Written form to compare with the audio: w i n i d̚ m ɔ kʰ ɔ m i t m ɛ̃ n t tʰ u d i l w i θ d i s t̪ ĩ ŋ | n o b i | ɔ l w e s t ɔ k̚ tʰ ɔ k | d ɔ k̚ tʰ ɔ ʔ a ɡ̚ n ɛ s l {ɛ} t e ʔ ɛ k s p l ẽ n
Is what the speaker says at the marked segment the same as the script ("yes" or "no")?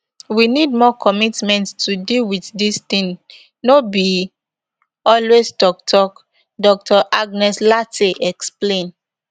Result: no